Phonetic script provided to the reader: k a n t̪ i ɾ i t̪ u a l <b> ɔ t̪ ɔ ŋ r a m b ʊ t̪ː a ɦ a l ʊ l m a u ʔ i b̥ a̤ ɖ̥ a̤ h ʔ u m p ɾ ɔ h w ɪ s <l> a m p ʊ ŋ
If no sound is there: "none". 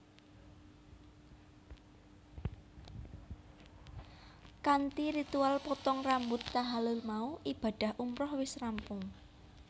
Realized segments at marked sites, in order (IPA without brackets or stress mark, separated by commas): p, r